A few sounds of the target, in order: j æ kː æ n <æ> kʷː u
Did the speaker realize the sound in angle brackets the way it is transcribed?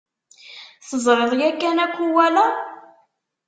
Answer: yes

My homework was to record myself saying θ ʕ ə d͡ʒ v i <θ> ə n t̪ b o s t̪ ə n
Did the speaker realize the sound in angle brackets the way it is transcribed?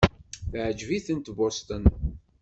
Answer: yes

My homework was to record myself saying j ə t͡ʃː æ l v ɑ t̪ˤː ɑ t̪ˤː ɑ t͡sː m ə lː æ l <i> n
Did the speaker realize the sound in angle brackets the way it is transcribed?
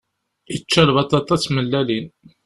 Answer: yes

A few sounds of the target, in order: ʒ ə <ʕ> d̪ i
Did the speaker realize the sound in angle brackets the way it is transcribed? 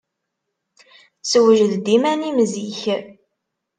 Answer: no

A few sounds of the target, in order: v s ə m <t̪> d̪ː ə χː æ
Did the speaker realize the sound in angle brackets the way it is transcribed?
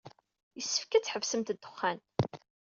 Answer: yes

